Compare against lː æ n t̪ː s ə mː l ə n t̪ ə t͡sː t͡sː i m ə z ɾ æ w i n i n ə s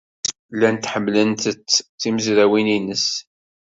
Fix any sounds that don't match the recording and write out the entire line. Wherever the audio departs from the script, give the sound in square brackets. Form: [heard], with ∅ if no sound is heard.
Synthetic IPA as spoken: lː æ n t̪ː [ħ] ə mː l ə n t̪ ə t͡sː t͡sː i m ə z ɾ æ w i n i n ə s